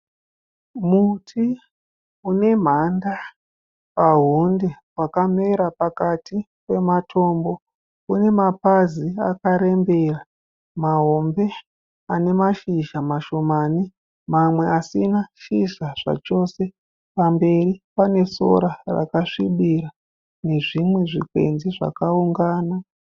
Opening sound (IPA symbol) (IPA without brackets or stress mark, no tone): m